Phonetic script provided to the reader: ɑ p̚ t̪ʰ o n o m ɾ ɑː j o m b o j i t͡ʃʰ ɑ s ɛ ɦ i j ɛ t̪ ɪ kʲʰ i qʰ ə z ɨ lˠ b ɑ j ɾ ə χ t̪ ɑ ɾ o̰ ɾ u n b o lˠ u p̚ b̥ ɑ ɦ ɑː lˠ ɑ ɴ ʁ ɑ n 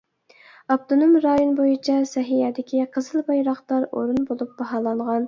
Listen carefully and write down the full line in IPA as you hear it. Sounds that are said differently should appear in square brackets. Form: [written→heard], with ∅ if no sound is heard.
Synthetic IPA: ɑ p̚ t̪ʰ o n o m ɾ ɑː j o [m→n] b o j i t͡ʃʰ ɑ s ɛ ɦ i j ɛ [t̪→d̪] ɪ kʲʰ i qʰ ə z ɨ lˠ b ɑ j ɾ [ə→ɑ] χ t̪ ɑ ɾ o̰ ɾ u n b o lˠ u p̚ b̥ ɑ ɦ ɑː lˠ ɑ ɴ ʁ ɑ n